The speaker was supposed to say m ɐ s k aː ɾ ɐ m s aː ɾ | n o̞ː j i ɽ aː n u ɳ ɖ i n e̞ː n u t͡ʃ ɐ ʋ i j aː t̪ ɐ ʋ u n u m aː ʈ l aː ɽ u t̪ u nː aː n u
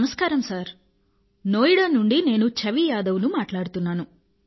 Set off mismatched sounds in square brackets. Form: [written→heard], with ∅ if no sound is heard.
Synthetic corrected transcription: m ɐ s k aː ɾ ɐ m s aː ɾ | n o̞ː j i ɽ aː n u ɳ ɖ i n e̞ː n u t͡ʃ ɐ ʋ i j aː [t̪→d̪] ɐ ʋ u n u m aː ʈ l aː ɽ u t̪ u nː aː n u